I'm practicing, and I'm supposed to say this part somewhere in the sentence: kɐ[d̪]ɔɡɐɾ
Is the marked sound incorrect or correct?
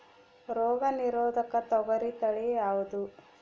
incorrect